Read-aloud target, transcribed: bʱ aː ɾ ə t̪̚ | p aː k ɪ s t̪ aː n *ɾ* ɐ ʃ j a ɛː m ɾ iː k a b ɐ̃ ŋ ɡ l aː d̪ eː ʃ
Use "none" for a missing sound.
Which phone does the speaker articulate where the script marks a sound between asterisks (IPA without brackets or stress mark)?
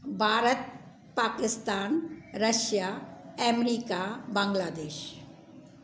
ɾ